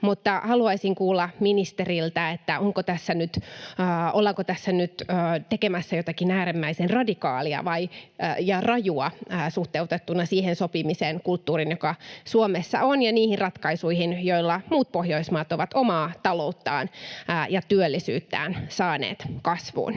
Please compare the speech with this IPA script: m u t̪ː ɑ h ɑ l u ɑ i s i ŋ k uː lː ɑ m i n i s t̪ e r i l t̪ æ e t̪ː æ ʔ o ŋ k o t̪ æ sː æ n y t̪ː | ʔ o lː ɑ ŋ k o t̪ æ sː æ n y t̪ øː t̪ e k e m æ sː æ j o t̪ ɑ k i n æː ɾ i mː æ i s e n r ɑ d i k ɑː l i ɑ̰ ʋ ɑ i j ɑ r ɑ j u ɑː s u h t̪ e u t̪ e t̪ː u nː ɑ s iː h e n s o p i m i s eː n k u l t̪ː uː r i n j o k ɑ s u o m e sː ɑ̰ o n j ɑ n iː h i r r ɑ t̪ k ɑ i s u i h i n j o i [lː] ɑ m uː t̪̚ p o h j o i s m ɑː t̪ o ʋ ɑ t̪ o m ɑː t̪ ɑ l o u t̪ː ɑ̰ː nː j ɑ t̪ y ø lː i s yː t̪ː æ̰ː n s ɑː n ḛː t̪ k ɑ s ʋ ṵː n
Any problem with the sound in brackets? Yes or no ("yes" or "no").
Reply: no